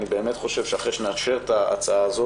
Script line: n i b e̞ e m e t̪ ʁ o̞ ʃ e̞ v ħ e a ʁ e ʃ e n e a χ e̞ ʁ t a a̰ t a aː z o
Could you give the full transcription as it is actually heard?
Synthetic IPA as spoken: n i b e̞ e m e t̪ χ o̞ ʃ e̞ v ʃ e a χ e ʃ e n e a ʃ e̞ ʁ t a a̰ t͡s a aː z o